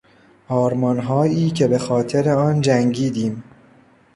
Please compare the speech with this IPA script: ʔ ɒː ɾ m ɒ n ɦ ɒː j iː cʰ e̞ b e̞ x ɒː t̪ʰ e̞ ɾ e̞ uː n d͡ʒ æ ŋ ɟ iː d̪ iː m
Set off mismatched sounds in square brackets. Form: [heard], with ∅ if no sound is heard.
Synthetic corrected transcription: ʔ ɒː ɾ m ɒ n ɦ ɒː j iː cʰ e̞ b e̞ x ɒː t̪ʰ e̞ ɾ e̞ [ɒː] n d͡ʒ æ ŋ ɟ iː d̪ iː m

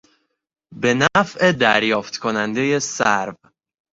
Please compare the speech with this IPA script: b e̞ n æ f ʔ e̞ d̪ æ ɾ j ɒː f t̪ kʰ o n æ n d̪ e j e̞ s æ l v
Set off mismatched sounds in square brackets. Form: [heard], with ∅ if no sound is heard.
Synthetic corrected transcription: b e̞ n æ f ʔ e̞ d̪ æ ɾ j ɒː f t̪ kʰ o n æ n d̪ e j e̞ s æ [ɾ] v

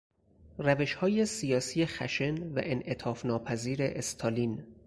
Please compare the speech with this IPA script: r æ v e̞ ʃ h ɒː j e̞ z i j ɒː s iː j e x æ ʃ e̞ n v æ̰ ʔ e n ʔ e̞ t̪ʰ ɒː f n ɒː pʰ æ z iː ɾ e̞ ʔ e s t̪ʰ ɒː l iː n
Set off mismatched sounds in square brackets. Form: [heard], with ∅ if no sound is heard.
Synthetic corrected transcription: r æ v e̞ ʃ h ɒː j e̞ [s] i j ɒː s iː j e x æ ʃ e̞ n v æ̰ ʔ e n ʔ e̞ t̪ʰ ɒː f n ɒː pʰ æ z iː ɾ e̞ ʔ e s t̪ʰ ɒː l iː n

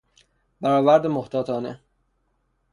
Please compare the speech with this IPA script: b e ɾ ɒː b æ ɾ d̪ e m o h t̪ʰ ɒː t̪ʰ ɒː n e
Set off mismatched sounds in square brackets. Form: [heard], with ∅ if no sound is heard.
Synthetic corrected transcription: b [æ] ɾ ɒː [v] æ ɾ d̪ e m o h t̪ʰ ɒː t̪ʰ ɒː n e

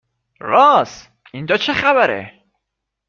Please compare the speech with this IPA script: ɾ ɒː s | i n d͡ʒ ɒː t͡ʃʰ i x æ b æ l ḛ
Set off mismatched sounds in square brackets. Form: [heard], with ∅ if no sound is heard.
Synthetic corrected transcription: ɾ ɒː s | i n d͡ʒ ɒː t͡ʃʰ [e] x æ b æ [ɾ] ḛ

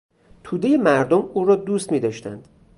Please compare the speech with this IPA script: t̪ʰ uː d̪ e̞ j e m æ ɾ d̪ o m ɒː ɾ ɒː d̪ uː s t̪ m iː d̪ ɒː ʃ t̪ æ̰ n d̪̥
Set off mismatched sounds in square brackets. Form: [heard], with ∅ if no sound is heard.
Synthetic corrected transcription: t̪ʰ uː d̪ e̞ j e m æ ɾ d̪ o m [uː] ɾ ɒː d̪ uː s t̪ m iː d̪ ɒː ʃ t̪ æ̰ n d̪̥

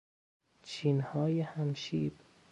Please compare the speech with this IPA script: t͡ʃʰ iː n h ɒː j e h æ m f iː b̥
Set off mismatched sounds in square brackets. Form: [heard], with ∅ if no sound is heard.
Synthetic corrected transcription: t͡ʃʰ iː n h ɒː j e h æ m [ʃ] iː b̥

